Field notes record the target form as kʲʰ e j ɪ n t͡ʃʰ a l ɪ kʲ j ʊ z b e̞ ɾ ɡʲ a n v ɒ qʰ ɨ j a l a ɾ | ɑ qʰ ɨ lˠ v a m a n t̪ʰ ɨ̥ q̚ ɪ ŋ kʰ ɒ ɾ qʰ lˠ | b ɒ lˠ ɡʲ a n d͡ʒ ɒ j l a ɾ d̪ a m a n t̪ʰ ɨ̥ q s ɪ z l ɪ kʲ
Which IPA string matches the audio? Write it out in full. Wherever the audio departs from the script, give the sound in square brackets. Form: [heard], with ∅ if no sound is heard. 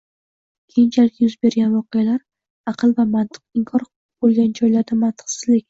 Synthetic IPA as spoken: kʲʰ e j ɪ n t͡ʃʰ a l ɪ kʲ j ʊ z b e̞ ɾ ɡʲ a n v ɒ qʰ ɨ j a l a ɾ | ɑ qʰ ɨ lˠ v a m a n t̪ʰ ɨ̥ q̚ ɪ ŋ kʰ ɒ ɾ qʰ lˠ | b [o] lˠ ɡʲ a n d͡ʒ ɒ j l a ɾ d̪ a m a n t̪ʰ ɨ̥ q s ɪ z l ɪ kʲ